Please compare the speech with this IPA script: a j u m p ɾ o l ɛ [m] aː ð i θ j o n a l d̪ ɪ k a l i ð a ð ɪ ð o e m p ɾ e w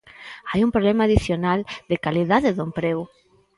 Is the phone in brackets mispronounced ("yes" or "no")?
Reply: no